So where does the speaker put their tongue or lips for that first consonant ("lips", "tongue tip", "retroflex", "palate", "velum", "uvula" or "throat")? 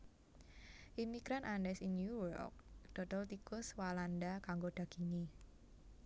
throat